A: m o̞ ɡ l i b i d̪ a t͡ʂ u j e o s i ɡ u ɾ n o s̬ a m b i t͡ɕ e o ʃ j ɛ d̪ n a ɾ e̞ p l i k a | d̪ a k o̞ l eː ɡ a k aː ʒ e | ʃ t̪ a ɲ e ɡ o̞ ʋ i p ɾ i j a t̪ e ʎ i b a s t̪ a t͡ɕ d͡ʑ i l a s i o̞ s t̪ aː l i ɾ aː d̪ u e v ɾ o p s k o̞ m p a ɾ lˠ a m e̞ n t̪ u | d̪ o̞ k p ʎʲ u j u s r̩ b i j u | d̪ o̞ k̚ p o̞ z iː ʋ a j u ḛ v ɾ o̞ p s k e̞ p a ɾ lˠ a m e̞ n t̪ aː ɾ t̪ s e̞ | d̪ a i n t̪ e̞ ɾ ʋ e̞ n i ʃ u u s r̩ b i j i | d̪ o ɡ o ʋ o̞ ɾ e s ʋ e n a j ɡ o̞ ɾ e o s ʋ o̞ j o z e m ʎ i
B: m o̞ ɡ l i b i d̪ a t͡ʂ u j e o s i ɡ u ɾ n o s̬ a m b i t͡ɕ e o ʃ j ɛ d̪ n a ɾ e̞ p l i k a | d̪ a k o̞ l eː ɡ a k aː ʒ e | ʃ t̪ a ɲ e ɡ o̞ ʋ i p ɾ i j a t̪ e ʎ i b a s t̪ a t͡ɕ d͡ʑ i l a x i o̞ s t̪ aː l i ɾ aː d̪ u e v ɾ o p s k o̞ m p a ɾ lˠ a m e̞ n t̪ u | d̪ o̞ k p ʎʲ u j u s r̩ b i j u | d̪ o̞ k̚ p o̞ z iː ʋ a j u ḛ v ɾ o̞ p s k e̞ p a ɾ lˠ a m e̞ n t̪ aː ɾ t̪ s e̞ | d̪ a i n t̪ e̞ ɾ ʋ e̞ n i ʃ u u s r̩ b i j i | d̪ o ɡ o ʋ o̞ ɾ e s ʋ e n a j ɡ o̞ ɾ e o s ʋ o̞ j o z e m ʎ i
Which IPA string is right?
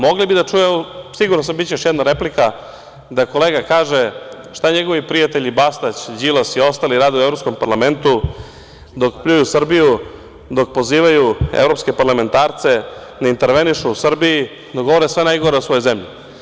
A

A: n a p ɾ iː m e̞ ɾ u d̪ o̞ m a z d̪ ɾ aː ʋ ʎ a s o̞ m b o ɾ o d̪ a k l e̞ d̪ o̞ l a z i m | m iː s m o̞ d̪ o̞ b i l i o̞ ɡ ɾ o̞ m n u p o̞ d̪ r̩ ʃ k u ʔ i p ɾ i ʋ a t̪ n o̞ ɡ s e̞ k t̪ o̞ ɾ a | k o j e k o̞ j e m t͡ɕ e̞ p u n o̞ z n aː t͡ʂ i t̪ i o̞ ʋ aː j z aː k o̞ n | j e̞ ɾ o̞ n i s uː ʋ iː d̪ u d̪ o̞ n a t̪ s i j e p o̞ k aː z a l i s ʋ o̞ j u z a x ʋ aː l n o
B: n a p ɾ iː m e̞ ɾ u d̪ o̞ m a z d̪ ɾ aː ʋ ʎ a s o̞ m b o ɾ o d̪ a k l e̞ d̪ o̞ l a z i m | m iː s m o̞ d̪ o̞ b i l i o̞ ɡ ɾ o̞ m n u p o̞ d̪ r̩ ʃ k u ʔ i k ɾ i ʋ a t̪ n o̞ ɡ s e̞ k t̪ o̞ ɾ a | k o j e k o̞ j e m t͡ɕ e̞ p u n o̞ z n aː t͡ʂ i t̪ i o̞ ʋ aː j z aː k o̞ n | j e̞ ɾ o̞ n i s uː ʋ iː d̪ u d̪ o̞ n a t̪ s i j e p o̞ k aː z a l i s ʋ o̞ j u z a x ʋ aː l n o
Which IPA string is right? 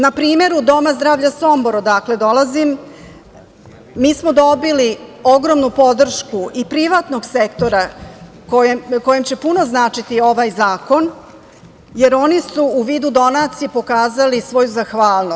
A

